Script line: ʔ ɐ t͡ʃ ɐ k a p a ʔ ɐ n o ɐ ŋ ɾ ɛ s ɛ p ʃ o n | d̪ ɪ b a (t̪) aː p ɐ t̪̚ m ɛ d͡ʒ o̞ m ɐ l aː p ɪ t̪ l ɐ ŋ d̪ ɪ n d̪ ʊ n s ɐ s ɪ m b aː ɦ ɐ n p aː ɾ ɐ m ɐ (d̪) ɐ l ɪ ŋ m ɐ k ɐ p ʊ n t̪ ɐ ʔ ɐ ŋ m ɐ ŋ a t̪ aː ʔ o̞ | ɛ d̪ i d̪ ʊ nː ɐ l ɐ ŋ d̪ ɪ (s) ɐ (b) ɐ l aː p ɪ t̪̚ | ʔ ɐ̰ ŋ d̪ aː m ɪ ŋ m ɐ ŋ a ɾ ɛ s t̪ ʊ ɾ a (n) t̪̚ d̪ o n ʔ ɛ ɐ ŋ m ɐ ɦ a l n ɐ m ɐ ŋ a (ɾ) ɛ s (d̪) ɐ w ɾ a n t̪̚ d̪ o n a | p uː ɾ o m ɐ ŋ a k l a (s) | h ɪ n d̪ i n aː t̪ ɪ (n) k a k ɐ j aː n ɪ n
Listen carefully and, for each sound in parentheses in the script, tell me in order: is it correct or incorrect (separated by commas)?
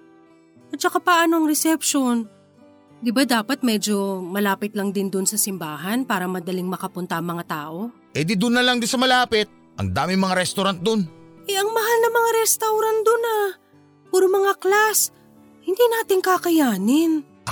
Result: incorrect, correct, correct, incorrect, correct, correct, incorrect, correct, incorrect